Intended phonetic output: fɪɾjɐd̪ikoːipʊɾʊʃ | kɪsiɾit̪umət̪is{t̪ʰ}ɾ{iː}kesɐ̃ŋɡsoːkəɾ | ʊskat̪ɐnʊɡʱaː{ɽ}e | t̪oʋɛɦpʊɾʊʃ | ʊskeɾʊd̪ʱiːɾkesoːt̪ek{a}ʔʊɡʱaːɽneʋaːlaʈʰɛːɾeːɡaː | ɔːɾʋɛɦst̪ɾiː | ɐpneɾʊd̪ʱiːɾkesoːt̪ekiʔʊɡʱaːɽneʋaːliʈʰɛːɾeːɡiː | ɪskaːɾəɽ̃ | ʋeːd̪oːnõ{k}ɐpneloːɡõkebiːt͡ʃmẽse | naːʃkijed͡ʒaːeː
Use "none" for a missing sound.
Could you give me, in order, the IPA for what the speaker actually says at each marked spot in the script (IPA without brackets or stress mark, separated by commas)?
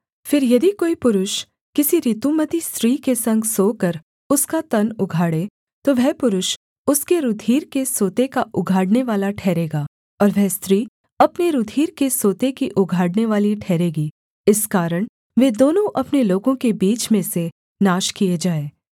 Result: t̪, iː, ɽ, a, ʔ